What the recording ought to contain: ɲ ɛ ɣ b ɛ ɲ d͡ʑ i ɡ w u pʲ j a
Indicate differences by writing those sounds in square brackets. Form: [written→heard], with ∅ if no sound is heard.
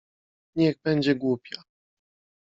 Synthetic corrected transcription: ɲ ɛ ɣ b ɛ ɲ d͡ʑ [i→ɛ] ɡ w u pʲ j a